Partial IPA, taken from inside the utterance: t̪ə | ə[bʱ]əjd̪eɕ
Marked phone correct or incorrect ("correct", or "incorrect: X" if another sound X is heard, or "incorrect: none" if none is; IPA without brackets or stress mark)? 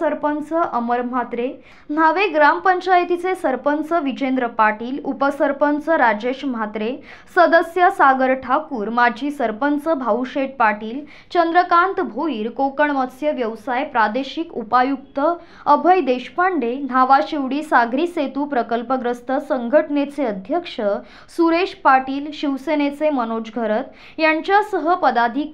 correct